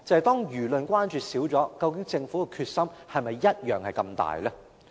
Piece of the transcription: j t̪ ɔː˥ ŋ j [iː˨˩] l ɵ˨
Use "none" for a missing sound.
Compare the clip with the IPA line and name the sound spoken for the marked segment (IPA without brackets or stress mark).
yː˨˩